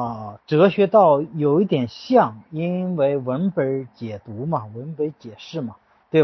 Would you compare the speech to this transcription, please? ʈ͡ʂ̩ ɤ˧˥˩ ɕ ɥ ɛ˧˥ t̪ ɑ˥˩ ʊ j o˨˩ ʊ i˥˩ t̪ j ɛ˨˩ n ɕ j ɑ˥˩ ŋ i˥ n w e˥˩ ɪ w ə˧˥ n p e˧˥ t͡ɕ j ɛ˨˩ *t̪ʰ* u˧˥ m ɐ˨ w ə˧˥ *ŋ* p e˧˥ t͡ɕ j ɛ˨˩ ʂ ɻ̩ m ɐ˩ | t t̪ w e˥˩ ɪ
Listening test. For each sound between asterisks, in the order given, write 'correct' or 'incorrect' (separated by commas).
incorrect, incorrect